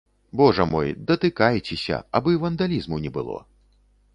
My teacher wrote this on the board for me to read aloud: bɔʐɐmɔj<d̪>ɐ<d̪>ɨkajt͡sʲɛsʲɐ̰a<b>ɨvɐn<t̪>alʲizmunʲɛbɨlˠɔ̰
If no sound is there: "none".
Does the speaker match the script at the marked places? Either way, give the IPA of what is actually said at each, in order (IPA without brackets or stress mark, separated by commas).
d̪, t̪, b, d̪